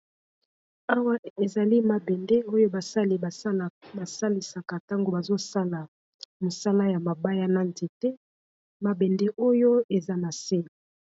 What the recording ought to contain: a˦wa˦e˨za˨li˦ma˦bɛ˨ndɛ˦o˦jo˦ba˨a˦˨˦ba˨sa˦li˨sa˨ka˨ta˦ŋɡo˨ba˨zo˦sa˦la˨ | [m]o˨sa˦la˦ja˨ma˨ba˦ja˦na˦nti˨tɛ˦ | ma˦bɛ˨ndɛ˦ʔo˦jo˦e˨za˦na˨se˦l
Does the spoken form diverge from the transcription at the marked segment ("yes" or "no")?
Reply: no